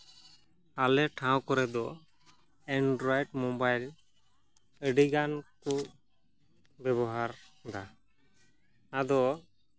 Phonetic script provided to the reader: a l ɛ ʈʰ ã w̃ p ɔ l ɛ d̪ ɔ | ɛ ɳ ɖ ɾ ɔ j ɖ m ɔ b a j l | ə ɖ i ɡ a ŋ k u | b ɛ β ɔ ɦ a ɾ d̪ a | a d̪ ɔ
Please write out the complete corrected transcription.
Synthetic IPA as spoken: a l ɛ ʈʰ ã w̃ k ɔ ɾ ɛ d̪ ɔ | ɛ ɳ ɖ ɾ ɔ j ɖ m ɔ b a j l | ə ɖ i ɡ a n k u | b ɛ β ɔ ɦ a ɾ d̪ a | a d̪ ɔ